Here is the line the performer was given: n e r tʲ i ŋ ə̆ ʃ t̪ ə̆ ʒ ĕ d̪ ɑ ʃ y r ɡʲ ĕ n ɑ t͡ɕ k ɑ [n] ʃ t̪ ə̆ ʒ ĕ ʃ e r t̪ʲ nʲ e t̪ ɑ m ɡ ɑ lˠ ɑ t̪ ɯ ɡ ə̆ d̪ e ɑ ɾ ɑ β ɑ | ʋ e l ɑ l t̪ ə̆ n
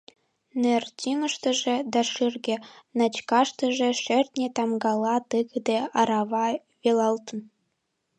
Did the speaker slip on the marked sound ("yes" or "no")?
yes